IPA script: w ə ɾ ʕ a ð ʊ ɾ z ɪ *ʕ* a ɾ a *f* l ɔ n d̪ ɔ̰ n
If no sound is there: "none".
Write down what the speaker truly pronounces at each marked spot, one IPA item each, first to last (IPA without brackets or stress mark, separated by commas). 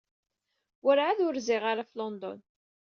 ʁ, f